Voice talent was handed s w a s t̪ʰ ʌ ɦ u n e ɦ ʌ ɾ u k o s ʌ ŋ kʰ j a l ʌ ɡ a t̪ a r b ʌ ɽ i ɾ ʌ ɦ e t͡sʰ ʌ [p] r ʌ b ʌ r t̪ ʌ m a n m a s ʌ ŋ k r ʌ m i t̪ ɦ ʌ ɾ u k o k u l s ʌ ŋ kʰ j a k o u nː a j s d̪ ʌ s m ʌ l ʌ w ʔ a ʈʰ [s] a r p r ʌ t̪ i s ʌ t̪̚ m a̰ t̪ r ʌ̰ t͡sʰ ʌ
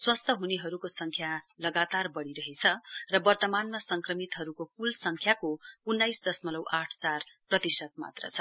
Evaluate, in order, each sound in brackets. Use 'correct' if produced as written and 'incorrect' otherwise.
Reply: incorrect: none, incorrect: t͡s

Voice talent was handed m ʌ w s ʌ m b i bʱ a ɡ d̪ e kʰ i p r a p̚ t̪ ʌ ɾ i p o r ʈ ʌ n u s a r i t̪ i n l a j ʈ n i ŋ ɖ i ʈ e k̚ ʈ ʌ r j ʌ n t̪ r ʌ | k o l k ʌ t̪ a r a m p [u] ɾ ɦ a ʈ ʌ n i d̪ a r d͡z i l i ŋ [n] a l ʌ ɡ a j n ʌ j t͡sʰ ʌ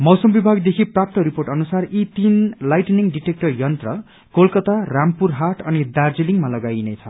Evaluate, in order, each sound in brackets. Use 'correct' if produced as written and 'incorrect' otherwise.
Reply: correct, incorrect: m

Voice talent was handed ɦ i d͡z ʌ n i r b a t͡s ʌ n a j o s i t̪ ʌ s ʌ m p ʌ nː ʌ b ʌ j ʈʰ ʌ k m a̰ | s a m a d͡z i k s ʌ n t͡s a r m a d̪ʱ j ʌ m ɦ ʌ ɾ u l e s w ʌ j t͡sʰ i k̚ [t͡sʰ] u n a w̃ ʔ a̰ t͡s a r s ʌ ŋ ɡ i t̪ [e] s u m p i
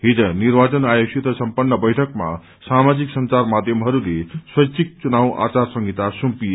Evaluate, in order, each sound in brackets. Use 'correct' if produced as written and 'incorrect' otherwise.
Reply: incorrect: t͡s, incorrect: a

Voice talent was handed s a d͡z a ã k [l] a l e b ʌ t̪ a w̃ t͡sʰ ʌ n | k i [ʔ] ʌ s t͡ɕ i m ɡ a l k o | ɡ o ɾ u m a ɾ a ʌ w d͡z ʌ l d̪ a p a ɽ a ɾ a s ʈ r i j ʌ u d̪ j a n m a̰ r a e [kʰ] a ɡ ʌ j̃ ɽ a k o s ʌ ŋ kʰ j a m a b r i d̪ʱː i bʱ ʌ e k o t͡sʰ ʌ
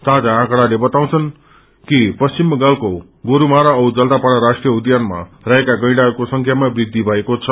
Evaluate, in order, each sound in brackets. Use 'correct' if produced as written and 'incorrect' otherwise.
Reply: incorrect: ɽ, incorrect: p, incorrect: k

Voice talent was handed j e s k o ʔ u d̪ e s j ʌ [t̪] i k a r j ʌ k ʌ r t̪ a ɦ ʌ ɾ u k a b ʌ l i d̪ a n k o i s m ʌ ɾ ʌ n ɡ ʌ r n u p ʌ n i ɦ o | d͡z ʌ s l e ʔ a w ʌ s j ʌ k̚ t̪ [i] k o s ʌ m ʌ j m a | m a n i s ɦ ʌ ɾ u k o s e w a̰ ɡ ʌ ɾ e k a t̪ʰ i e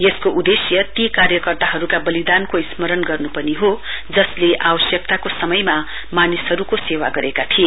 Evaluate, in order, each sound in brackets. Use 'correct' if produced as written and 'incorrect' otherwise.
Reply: correct, incorrect: a

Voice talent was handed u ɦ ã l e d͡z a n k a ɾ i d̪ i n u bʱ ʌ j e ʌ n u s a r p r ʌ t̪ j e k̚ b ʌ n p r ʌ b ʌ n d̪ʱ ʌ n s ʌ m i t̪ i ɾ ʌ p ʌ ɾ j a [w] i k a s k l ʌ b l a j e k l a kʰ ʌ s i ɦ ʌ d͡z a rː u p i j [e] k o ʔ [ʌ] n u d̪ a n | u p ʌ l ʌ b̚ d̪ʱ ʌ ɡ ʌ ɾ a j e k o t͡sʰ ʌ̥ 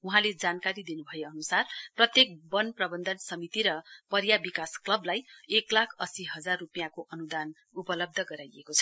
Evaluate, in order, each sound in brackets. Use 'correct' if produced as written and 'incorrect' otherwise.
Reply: incorrect: b, incorrect: a, correct

